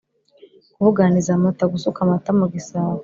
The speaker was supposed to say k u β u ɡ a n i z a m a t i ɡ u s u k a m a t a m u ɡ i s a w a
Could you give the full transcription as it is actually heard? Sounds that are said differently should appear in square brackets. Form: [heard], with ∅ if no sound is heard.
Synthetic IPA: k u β u ɡ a n i z a m a t [a] ɡ u s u k a m a t a m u ɡ i s a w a

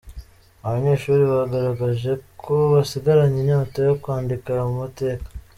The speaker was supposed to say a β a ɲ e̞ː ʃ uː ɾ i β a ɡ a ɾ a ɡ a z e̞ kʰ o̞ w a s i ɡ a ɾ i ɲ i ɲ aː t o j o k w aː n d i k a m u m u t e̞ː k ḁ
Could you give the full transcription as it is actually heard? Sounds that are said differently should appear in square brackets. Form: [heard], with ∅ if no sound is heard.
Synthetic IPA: a β a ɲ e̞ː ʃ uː ɾ i β a ɡ a ɾ a ɡ a [ʒ] e̞ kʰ o̞ [β] a s i ɡ a ɾ [a] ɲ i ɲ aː t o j o k w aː n d i k a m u m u t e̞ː k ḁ

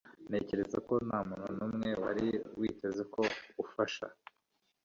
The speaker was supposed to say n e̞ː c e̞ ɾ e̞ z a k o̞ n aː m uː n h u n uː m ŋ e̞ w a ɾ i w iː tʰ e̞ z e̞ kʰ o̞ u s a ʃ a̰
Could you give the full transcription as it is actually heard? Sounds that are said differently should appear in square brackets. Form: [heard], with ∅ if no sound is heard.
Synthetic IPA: n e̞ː c e̞ ɾ e̞ z a k o̞ n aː m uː n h u n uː m ŋ e̞ w a ɾ i w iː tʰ e̞ z e̞ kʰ o̞ u [f] a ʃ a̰

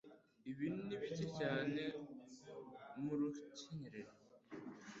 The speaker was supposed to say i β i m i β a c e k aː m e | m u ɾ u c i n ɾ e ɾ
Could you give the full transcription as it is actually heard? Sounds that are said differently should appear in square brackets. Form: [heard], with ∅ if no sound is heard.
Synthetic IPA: i β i [n] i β [i] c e [c] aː [n] e | m u ɾ u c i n ɾ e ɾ

